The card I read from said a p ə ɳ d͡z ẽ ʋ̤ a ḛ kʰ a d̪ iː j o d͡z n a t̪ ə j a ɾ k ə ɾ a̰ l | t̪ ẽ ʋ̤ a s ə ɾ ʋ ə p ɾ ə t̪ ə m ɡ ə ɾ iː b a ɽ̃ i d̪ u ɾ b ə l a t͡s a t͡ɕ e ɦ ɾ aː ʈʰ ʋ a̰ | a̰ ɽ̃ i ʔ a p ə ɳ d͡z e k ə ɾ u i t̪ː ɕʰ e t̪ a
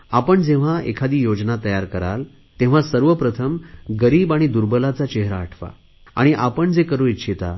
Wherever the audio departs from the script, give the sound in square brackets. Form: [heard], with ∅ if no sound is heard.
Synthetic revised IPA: a p ə ɳ d͡z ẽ ʋ̤ a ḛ kʰ a d̪ iː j o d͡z n a t̪ ə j a ɾ k ə ɾ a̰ l | t̪ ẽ ʋ̤ a s ə ɾ ʋ ə p ɾ ə [t̪ʰ] ə m ɡ ə ɾ iː b a ɽ̃ i d̪ u ɾ b ə l a t͡s a t͡ɕ e ɦ ɾ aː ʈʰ ʋ a̰ | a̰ ɽ̃ i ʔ a p ə ɳ d͡z e k ə ɾ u i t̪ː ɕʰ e t̪ a